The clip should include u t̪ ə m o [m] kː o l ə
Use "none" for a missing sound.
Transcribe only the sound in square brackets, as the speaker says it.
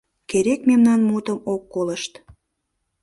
none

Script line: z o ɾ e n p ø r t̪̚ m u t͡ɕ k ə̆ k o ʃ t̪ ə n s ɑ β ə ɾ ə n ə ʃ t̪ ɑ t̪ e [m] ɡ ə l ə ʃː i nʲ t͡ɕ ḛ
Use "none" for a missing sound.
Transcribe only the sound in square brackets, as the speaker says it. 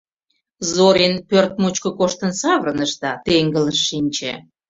ŋ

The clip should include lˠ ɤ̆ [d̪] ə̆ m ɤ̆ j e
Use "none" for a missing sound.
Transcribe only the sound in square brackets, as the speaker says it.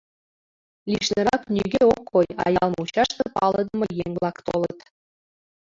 d̪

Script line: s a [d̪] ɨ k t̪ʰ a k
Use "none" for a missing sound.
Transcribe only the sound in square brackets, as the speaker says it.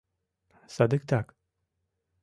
d̪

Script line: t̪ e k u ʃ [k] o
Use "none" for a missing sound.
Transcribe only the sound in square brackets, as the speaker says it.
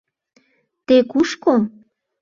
k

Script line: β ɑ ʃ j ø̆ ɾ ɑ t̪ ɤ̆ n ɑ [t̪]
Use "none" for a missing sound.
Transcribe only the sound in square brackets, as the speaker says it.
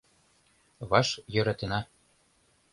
none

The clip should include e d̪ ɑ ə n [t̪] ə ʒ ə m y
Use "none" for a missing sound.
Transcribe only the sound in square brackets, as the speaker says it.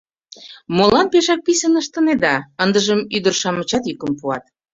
d̪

